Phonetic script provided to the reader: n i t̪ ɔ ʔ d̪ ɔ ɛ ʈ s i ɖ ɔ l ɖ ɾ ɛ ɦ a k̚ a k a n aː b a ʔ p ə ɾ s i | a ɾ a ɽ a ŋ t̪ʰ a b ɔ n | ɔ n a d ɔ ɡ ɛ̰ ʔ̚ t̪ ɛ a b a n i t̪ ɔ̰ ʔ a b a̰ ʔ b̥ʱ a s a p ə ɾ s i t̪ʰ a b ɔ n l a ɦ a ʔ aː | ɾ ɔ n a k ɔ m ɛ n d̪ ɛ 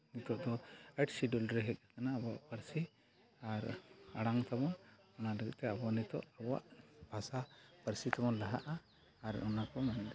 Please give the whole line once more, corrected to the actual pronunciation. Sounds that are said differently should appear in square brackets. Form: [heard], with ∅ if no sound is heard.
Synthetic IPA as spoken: n i t̪ ɔ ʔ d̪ ɔ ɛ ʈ s i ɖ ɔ l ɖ ɾ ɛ ɦ [ɛ] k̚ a k a n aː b a ʔ p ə ɾ s i | a ɾ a ɽ a ŋ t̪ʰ a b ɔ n | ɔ n a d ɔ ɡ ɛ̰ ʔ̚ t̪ ɛ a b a n i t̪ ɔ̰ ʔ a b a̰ ʔ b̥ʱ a s a p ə ɾ s i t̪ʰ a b ɔ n l a ɦ a ʔ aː | ɾ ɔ n a k ɔ m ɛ n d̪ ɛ